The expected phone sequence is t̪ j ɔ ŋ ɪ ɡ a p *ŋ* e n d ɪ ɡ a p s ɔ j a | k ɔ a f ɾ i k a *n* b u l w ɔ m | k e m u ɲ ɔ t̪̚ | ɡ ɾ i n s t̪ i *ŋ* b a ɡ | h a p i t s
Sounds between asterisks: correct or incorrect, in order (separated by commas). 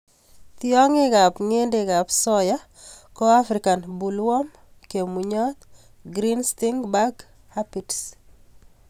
correct, correct, correct